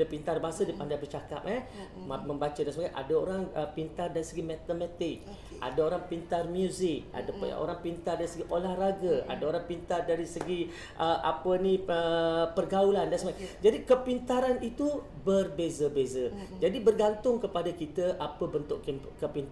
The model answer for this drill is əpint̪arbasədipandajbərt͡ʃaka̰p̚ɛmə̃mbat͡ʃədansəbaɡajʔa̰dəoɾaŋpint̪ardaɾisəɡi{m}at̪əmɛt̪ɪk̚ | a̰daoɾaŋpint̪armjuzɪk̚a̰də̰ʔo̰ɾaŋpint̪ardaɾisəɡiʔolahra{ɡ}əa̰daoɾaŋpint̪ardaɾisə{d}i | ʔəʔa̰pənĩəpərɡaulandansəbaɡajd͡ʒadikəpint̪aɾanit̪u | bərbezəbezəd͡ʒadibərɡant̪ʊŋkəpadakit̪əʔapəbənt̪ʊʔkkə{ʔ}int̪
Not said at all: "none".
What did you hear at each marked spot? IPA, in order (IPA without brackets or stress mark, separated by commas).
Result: m, ɡ, ɡ, p